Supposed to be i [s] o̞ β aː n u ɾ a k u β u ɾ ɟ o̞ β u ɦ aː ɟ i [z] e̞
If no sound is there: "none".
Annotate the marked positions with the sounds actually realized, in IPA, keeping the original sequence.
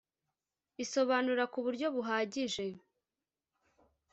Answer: s, ʒ

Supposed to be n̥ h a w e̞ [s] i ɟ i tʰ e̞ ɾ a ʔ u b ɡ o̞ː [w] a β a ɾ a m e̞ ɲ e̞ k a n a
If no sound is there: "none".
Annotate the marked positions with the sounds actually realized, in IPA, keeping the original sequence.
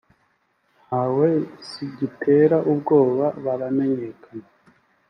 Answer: s, β

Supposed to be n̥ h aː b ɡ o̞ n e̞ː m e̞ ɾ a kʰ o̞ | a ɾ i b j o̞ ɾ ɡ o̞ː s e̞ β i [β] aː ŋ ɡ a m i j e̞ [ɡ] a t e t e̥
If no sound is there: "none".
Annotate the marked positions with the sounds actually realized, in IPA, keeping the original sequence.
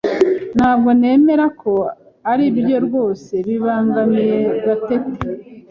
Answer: β, ɡ

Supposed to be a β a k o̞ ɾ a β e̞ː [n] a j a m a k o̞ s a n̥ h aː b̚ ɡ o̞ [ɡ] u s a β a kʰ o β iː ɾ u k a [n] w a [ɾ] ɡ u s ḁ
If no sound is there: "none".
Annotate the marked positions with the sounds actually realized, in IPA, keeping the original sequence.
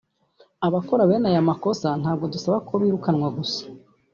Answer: n, d, n, none

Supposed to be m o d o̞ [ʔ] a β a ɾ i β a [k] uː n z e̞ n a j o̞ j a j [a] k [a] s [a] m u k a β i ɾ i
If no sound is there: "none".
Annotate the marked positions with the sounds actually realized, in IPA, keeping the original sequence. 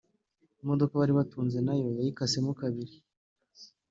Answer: k, t, i, a, e

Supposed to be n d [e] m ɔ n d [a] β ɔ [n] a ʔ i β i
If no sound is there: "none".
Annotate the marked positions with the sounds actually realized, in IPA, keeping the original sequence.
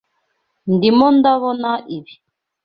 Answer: i, a, n

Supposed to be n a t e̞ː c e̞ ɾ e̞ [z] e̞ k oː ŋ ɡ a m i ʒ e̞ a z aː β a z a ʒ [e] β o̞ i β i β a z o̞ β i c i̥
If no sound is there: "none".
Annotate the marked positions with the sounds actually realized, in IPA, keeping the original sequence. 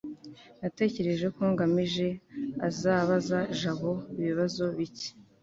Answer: ʒ, a

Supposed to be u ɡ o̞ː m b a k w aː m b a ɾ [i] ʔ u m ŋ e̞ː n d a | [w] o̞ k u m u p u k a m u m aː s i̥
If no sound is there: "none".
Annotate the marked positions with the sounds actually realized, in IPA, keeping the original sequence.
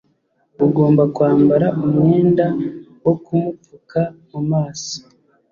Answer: a, w

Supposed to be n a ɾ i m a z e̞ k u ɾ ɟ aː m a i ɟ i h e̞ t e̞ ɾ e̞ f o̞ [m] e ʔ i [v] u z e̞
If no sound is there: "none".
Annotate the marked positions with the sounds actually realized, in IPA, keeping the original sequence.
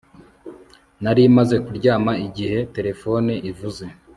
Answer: n, v

